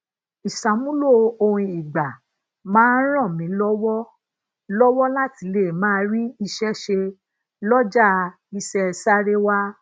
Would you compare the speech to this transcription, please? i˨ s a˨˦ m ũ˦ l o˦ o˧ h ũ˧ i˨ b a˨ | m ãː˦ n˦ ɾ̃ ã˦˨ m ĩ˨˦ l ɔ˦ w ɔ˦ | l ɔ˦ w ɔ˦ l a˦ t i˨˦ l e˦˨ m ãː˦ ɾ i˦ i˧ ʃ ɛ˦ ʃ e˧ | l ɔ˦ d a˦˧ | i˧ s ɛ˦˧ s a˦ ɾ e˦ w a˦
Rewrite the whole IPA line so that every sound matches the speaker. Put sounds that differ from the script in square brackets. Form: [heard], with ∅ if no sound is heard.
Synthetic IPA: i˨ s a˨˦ m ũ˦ l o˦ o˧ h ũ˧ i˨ [ɡ͡b] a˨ | m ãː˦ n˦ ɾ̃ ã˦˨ m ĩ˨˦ l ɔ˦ w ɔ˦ | l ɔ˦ w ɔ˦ l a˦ t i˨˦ l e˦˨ m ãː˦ ɾ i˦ i˧ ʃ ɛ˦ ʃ e˧ | l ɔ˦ [d͡ʒ] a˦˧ | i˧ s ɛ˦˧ s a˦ ɾ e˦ w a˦